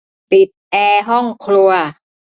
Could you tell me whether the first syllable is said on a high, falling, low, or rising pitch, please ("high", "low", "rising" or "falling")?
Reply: low